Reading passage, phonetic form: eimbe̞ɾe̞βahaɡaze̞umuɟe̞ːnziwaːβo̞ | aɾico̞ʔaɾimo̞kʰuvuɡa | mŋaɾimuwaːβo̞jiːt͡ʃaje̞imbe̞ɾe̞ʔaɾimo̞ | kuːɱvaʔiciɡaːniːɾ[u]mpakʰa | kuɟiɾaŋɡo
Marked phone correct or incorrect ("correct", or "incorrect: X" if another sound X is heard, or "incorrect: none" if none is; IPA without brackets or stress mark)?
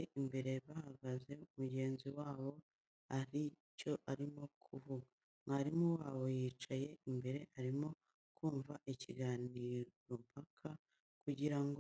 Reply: incorrect: o